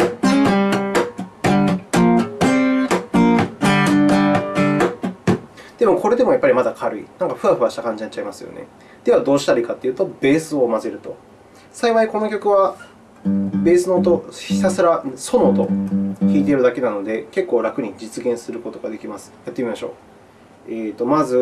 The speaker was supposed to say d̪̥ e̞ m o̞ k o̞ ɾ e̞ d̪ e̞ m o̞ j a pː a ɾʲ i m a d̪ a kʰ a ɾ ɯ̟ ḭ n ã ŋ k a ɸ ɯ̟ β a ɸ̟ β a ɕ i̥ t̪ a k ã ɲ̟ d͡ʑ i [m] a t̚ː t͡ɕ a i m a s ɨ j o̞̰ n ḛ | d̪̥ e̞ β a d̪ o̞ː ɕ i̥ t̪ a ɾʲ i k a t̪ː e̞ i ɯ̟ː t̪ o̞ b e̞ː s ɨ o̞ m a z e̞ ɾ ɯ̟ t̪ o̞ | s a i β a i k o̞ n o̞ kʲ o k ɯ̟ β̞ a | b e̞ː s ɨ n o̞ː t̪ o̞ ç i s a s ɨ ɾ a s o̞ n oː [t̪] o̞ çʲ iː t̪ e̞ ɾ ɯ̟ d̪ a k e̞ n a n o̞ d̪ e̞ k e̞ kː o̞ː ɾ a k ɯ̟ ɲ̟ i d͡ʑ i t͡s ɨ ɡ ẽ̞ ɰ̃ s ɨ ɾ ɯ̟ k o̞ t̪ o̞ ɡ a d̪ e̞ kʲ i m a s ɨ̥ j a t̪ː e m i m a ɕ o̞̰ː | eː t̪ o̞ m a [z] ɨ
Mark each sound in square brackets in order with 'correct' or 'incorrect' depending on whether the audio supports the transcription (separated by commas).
incorrect, correct, correct